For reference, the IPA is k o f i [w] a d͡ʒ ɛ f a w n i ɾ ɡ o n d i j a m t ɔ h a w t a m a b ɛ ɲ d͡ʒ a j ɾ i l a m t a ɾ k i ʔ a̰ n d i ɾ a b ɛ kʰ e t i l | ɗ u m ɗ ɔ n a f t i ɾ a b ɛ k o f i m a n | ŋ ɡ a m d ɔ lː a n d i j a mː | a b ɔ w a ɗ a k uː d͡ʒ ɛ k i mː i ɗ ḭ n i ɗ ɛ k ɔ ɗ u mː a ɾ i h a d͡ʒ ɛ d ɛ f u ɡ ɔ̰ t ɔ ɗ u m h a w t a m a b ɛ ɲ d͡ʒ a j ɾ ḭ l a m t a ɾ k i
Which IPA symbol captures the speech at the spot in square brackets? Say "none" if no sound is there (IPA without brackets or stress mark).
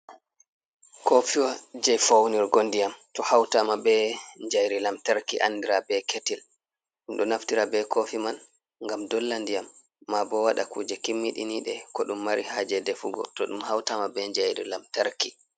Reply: w